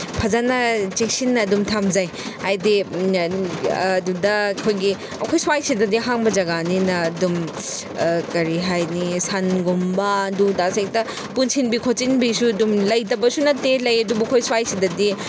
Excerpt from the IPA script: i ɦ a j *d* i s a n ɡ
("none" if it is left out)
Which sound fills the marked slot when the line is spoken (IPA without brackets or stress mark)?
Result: n